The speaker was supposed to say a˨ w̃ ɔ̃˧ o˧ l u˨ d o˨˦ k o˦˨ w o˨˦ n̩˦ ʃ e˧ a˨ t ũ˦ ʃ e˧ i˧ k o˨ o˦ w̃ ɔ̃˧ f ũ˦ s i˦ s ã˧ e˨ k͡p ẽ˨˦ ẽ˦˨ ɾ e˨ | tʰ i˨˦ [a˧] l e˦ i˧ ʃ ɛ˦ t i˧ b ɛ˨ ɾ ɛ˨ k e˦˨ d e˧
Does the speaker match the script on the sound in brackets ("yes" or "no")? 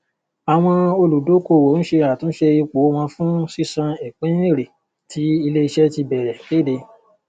no